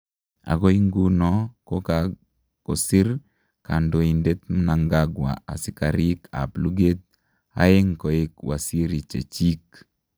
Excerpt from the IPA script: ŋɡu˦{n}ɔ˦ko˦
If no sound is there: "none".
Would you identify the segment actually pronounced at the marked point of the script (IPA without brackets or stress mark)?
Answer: n